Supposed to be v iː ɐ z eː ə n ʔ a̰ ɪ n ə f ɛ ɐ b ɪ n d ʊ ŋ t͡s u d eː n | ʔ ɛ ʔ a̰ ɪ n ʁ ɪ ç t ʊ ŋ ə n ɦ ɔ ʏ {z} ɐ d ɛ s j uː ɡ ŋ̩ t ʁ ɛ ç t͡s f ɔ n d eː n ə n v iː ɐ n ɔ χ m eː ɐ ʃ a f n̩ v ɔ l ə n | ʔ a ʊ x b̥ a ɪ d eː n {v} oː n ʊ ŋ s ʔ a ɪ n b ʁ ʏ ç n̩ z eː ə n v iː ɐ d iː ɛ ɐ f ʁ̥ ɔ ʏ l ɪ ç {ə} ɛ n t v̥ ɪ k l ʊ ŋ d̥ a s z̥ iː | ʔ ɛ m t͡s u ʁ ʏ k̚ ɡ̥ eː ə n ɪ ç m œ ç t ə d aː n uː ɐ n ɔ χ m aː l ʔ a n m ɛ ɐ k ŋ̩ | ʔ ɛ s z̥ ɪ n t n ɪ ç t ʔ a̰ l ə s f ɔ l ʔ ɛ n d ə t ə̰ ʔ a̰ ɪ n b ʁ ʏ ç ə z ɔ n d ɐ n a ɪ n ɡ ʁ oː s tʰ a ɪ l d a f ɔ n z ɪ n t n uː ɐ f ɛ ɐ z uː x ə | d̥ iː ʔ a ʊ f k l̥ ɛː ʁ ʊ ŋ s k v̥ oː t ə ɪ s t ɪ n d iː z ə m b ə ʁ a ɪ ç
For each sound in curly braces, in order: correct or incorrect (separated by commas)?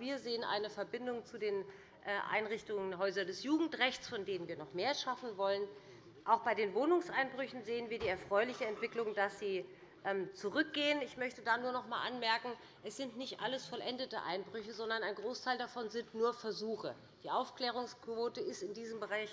correct, correct, correct